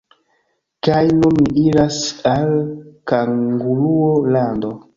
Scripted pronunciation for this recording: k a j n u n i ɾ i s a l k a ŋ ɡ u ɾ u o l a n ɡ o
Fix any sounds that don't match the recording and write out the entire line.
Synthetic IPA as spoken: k a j n u n i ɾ a s a l k a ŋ ɡ u l u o l a n d o